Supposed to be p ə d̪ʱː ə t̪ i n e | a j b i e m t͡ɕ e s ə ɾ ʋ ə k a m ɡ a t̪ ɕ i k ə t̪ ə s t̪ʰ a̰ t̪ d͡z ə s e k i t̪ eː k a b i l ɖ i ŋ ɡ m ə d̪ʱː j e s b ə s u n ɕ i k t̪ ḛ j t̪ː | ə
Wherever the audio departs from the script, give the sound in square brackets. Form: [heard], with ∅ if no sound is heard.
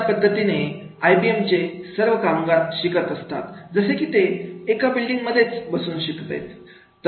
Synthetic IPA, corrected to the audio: p ə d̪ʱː ə t̪ i n e | a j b i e m t͡ɕ e s ə ɾ ʋ ə k a m ɡ a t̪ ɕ i k ə t̪ ə s [t̪] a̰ t̪ d͡z ə s e k i t̪ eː k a b i l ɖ i ŋ ɡ m ə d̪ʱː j e [t͡s] b ə s [uː] n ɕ i k t̪ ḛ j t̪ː | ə